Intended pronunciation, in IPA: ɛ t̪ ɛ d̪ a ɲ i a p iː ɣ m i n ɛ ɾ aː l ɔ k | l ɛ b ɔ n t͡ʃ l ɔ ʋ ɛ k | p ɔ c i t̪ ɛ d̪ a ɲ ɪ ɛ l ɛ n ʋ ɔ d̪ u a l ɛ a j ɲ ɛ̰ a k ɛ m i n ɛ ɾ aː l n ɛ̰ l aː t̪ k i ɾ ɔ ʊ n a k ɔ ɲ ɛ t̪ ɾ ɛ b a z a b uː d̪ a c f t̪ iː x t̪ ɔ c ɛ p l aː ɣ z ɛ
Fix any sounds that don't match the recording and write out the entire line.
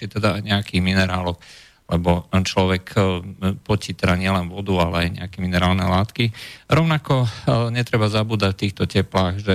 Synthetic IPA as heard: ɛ t̪ ɛ d̪ a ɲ ɛ a k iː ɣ m i n ɛ ɾ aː l ɔ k | l ɛ b ɔ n t͡ʃ l ɔ ʋ ɛ k | p ɔ c i t̪ ɛ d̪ a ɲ ɪ ɛ l ɛ n ʋ ɔ d̪ u a l ɛ a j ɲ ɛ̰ a k ɛ m i n ɛ ɾ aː l n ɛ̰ l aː t̪ k i ɾ ɔ ʊ n a k ɔ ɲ ɛ t̪ ɾ ɛ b a z a b uː d̪ a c f t̪ iː x t̪ ɔ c ɛ p l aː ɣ ʒ ɛ